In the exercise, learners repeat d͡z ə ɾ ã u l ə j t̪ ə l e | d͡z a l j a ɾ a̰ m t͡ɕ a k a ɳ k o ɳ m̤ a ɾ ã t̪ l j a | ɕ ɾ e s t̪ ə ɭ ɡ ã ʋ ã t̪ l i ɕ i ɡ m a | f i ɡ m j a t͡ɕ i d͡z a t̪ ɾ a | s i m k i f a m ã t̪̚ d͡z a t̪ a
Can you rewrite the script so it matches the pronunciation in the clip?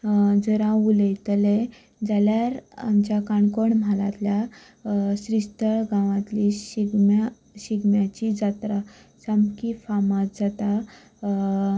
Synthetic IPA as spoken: d͡z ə ɾ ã u l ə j t̪ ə l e | d͡z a l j a ɾ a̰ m t͡ɕ a k a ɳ k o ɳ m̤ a l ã t̪ l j a | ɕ ɾ i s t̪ ə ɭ ɡ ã ʋ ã t̪ l i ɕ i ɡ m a | ɕ i ɡ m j a t͡ɕ i d͡z a t̪ ɾ a | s a m k i f a m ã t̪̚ d͡z a t̪ a